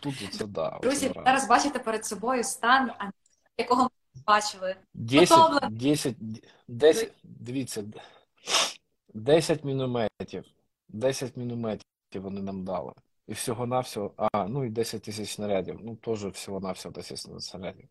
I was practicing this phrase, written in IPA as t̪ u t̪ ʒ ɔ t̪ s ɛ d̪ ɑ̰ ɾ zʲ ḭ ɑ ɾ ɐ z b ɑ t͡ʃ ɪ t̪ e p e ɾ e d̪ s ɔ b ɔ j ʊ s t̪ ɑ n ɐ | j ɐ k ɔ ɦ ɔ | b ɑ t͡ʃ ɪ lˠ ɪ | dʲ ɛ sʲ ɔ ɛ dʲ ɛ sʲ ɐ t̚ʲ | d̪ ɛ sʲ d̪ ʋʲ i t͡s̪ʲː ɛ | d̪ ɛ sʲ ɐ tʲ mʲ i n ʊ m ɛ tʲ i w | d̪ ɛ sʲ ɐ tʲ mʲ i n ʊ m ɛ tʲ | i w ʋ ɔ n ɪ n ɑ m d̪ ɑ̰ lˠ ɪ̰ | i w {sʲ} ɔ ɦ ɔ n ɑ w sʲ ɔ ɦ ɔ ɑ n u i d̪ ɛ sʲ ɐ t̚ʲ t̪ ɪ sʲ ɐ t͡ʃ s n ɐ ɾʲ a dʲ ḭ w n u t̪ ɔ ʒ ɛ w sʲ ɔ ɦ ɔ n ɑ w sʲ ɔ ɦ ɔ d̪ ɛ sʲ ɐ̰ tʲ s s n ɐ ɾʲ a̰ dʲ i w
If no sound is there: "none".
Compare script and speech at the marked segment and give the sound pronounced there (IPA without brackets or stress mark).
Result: sʲ